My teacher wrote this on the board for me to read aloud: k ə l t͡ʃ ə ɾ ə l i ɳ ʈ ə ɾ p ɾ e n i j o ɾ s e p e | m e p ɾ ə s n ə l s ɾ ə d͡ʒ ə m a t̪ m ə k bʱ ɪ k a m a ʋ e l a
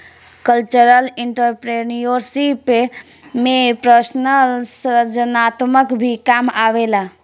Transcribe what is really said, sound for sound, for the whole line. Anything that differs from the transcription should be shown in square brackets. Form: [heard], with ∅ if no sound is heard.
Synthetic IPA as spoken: k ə l t͡ʃ ə ɾ ə l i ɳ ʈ ə ɾ p ɾ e n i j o ɾ s [i] p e | m e p ɾ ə s n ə l s ɾ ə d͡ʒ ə [n] a t̪ m ə k bʱ [i] k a m a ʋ e l a

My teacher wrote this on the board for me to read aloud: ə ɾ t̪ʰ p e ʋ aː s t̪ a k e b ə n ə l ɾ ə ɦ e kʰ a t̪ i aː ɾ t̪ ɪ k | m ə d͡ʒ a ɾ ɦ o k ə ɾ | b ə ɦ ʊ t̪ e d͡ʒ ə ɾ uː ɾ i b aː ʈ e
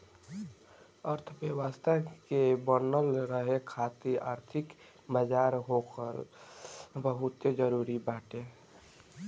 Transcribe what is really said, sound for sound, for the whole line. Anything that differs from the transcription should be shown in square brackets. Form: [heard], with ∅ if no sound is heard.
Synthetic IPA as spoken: ə ɾ t̪ʰ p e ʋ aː s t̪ a k e b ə n ə l ɾ ə ɦ e kʰ a t̪ i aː ɾ [t̪ʰ] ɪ k | m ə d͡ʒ a ɾ ɦ o k ə ɾ | b ə ɦ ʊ t̪ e d͡ʒ ə ɾ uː ɾ i b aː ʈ e

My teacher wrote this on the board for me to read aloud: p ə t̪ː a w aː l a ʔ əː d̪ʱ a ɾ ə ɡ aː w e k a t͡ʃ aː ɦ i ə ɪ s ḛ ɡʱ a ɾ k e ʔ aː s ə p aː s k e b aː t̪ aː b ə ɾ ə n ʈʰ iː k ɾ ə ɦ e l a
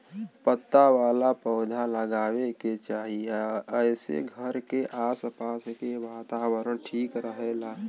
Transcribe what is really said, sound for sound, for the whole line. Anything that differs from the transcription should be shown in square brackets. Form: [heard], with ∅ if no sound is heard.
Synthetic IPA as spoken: p ə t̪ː a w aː l a [p] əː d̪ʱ a [l] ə ɡ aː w e k [e] t͡ʃ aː ɦ i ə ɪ s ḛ ɡʱ [ə] ɾ k e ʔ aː s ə p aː s k e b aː t̪ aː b ə ɾ ə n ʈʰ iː k ɾ ə ɦ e l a

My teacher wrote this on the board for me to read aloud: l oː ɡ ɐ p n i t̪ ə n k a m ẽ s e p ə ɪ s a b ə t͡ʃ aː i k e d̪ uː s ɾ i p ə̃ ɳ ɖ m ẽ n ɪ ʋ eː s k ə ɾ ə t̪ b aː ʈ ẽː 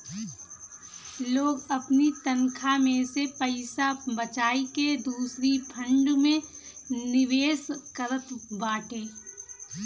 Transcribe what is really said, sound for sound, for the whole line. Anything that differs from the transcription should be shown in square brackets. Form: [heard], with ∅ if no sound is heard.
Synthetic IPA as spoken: l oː ɡ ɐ p n i t̪ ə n [kʰ] a m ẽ s e p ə ɪ s a b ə t͡ʃ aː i k e d̪ uː s ɾ i [pʰ] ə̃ ɳ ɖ m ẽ n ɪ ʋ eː s k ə ɾ ə t̪ b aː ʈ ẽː

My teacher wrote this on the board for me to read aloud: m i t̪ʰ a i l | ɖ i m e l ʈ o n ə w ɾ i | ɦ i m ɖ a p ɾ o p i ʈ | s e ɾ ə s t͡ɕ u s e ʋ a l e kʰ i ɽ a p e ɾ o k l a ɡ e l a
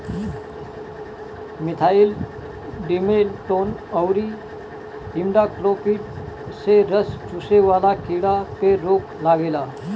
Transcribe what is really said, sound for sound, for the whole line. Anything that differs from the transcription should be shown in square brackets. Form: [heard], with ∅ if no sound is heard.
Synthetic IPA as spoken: m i t̪ʰ a i l | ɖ i m e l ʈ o n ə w ɾ i | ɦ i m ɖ a [k] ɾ o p i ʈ | s e ɾ ə s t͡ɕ u s e ʋ a l [a] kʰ i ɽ a p e ɾ o k l a ɡ e l a

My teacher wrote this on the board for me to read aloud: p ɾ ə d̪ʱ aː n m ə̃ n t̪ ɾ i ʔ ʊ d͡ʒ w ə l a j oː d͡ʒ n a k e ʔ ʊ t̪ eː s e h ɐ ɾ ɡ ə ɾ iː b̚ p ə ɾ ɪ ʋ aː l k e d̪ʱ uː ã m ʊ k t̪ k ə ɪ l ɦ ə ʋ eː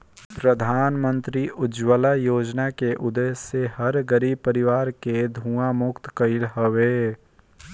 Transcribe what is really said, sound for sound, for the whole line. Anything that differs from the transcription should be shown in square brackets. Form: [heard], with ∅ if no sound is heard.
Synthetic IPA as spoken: p ɾ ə d̪ʱ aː n m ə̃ n t̪ ɾ i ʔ ʊ d͡ʒ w ə l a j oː d͡ʒ n a k e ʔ ʊ [d̪] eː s e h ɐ ɾ ɡ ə ɾ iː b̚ p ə ɾ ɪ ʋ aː [ɾ] k e d̪ʱ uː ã m ʊ k t̪ k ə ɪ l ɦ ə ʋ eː

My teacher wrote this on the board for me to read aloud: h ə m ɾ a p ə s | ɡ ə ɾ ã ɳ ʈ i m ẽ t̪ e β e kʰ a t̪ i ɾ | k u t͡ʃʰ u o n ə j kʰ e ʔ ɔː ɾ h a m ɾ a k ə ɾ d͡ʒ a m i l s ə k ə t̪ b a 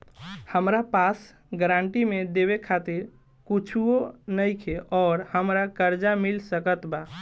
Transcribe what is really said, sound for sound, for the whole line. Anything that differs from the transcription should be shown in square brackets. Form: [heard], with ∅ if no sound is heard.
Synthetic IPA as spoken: h ə m ɾ a p [a] s | ɡ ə ɾ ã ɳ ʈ i m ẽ [d̪] e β e kʰ a t̪ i ɾ | k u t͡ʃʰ u o n ə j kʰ e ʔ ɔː ɾ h [ə] m ɾ a k ə ɾ d͡ʒ a m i l s ə k ə t̪ b a

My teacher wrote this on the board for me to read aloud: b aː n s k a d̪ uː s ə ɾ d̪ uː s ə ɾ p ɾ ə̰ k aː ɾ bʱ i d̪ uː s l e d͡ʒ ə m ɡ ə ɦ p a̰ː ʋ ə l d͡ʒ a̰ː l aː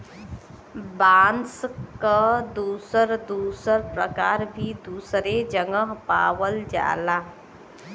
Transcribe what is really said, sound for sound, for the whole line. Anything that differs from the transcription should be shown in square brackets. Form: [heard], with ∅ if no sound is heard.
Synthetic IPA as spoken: b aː n s k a d̪ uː s ə ɾ d̪ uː s ə ɾ p ɾ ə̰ k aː ɾ bʱ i d̪ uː s [ɾ] e d͡ʒ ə [ŋ] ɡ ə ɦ p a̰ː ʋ ə l d͡ʒ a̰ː l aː

